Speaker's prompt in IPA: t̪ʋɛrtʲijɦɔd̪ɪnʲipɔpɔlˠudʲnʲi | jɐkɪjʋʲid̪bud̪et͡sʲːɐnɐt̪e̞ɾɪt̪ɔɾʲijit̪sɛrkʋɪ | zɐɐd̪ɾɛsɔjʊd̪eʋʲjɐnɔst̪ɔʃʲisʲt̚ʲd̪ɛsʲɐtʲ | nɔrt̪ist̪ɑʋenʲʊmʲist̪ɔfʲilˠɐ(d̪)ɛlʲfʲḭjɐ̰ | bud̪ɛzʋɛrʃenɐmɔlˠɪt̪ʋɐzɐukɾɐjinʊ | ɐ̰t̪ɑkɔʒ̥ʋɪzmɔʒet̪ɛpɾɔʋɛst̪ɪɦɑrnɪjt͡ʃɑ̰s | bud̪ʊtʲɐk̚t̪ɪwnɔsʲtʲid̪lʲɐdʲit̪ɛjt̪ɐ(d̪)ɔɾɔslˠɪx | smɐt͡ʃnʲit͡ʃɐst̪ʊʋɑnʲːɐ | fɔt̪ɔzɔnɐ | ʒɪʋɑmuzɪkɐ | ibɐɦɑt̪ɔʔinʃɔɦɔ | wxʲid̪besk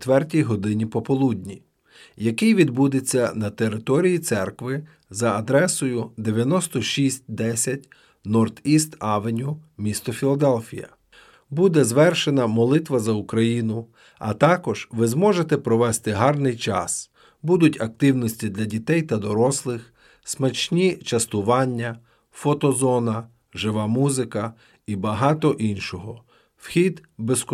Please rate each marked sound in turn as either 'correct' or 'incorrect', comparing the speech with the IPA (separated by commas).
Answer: correct, correct